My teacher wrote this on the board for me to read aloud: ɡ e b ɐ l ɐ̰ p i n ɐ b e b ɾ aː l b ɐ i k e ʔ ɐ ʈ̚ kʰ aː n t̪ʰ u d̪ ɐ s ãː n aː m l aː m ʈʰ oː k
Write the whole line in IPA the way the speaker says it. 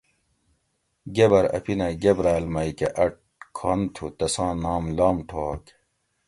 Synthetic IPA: ɡ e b ɐ ɾ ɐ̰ p i n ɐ ɡ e b ɾ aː l m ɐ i k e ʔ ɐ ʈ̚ kʰ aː n t̪ʰ u t̪ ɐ s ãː n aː m l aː m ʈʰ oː k

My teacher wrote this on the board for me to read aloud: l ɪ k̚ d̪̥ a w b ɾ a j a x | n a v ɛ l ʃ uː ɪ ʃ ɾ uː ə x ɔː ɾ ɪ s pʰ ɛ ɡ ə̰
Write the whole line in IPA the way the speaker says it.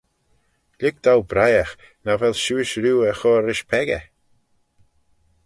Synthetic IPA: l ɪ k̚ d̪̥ a w b ɾ a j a x | n a v ɛ l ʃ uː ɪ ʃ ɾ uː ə x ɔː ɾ ɪ ʃ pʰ ɛ ɡ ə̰

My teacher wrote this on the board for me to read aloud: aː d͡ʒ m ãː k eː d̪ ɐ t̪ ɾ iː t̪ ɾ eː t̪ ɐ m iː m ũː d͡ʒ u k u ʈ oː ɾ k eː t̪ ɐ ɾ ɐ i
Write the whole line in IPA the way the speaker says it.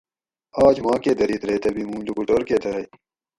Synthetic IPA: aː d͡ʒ m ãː k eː d̪ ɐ ɾ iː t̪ ɾ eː t̪ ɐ b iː m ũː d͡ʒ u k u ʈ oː ɾ k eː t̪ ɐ ɾ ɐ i

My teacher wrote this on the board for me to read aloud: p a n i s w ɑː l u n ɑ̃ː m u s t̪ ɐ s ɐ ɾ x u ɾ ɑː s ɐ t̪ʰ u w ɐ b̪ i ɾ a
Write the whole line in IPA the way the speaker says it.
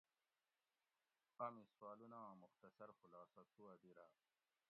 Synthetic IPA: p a m i s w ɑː l u n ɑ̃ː m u x t̪ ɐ s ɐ ɾ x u l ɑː s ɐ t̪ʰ u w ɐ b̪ i ɾ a

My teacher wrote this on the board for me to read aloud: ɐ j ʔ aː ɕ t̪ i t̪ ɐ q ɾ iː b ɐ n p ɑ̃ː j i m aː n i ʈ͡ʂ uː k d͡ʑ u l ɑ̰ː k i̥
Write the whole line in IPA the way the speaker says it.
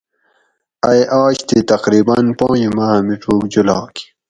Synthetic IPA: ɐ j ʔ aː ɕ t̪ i t̪ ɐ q ɾ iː b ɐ n p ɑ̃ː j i m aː m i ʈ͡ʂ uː k d͡ʑ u l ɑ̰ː k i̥

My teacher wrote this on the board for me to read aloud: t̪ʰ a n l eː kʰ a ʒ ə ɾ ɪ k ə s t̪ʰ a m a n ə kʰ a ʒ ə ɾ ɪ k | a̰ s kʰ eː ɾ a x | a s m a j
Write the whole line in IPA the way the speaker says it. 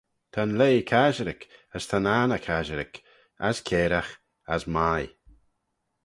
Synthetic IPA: t̪ʰ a n l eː kʰ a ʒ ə ɾ ɪ k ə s t̪ʰ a n a n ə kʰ a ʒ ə ɾ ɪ k | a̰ s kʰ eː ɾ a x | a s m a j

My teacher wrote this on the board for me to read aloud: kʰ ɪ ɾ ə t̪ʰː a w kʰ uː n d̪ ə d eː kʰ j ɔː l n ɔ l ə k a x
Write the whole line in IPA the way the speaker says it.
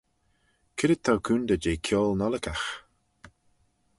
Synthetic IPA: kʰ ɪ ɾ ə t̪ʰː a w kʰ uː n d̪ ə d͡ʒ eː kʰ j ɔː l n ɔ l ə k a x

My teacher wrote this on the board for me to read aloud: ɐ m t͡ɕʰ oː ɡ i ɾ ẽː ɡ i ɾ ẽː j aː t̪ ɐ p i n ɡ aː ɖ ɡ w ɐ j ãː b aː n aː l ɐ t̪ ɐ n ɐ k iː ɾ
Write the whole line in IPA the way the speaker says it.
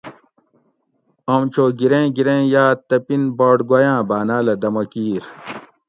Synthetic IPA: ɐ m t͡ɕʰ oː ɡ i ɾ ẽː ɡ i ɾ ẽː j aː t̪ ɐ p i n b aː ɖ ɡ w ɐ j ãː b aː n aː l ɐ d̪ ɐ m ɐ k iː ɾ

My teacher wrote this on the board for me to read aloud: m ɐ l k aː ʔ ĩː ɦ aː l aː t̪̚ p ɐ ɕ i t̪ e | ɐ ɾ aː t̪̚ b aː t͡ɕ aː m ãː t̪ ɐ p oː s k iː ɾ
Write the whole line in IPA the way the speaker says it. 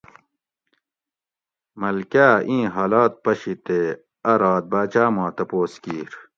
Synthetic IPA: m ɐ l k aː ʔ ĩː ɦ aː l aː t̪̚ p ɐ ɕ i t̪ e | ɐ ɾ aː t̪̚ b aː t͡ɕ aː m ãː t̪ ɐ p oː s k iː ɾ

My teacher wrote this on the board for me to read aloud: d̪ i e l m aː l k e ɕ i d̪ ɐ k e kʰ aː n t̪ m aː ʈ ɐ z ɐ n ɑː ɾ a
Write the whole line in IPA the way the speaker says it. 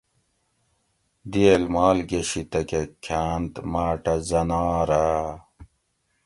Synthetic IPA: d̪ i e l m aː l ɡ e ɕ i t̪ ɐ k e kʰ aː n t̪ m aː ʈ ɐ z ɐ n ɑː ɾ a

